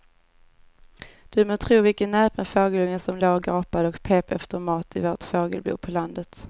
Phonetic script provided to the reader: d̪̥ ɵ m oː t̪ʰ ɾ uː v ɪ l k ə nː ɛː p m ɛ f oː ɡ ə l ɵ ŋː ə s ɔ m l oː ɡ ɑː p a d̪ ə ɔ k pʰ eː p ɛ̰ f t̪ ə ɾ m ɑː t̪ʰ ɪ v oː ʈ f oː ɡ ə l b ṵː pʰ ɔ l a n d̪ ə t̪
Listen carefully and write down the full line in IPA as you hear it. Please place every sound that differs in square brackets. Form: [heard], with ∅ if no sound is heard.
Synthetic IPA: d̪̥ ɵ m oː t̪ʰ ɾ uː v ɪ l k ə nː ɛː p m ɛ f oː ɡ ə l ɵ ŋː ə s ɔ m l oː ɡ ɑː p a d̪ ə ɔ k pʰ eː p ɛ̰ f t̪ ə ɾ m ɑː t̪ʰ ɪ v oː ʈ f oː ɡ ə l b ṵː pʰ ɔ l a n d̪ ə t̪